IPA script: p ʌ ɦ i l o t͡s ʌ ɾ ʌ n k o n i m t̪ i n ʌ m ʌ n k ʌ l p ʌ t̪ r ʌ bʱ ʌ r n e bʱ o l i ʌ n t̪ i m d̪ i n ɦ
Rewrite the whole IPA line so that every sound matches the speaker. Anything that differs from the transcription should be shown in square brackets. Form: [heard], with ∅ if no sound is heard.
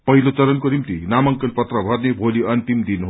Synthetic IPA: p ʌ ɦ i l o t͡s ʌ ɾ ʌ n k o n i m t̪ i n [a] m ʌ [ŋ] k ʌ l p ʌ t̪ r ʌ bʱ ʌ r n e bʱ o l i ʌ n t̪ i m d̪ i n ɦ